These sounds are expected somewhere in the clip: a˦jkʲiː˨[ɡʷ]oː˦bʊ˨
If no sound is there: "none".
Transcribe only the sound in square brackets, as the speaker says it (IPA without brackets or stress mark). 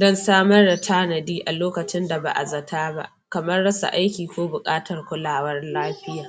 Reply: kʷ